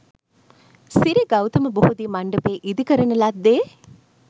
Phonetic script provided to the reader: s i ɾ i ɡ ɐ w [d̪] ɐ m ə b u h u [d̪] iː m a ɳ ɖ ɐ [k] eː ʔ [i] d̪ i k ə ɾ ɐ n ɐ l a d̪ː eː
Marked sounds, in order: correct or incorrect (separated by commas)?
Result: incorrect, correct, incorrect, correct